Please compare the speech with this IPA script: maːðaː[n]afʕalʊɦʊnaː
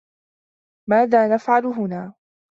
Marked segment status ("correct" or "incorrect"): correct